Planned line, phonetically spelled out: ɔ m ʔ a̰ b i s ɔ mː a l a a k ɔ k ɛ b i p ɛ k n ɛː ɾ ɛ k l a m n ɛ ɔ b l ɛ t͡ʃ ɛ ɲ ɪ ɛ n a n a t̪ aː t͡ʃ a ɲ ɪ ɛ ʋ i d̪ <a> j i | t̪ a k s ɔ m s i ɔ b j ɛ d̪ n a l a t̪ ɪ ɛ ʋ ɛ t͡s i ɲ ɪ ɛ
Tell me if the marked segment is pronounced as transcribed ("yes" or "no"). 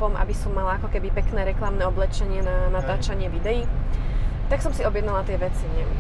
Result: no